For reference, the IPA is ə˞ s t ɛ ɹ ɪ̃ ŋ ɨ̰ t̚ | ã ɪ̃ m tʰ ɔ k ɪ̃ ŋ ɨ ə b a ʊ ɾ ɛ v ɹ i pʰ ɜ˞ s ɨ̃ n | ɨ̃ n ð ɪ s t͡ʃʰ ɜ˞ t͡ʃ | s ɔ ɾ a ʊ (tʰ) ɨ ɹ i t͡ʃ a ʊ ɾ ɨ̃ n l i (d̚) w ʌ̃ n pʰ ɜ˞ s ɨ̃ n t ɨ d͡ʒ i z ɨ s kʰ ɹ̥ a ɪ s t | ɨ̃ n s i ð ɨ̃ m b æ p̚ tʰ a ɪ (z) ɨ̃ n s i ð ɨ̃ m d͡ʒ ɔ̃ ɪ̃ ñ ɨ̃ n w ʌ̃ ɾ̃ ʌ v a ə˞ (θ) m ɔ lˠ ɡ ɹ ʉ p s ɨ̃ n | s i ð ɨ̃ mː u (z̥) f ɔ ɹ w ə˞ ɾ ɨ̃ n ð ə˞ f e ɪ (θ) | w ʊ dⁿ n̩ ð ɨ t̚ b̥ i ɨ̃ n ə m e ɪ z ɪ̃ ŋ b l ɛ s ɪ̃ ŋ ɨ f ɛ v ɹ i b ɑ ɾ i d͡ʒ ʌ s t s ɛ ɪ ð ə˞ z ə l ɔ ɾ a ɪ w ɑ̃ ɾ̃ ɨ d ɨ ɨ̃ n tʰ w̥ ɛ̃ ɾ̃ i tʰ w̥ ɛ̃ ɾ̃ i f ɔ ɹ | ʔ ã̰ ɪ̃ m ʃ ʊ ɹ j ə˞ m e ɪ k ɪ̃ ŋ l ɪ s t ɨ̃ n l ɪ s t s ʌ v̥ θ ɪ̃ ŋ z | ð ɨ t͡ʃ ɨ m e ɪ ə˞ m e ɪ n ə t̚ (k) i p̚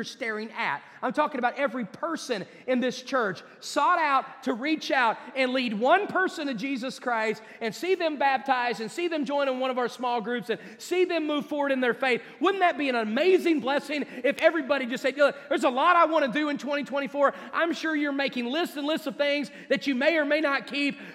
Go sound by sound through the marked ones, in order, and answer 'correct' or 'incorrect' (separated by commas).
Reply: correct, correct, correct, incorrect, incorrect, correct, incorrect